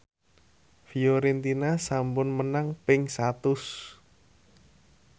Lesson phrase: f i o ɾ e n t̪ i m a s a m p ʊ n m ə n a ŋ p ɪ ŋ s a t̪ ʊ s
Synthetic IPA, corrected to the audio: f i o ɾ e n t̪ i n a s a m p ʊ n m ə n a ŋ p ɪ ŋ s a t̪ ʊ s